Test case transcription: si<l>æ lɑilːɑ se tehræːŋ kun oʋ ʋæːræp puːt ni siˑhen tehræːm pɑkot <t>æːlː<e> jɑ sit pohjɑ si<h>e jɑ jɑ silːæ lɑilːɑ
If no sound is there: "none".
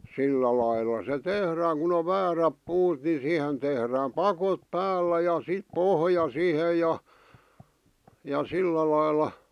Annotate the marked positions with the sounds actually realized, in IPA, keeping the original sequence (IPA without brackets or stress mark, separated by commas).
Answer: lː, p, æ, h